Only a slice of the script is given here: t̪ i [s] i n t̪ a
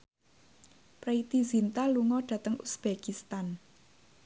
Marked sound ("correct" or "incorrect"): incorrect